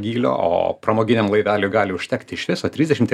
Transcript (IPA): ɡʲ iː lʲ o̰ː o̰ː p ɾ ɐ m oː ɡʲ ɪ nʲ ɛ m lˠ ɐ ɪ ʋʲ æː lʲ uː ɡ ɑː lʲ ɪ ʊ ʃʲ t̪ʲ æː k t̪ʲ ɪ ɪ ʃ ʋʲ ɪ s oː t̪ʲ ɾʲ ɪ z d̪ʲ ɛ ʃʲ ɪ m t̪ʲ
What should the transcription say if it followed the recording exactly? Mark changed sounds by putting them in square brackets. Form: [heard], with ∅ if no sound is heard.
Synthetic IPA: ɡʲ iː lʲ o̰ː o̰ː p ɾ ɐ m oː ɡʲ ɪ nʲ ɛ m lˠ ɐ ɪ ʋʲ æː lʲ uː ɡ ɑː lʲ ɪ ʊ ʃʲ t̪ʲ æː k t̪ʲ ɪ ɪ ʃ ʋʲ ɪ s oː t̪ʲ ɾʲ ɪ z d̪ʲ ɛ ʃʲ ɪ m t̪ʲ